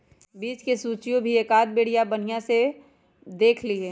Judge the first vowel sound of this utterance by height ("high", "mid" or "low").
high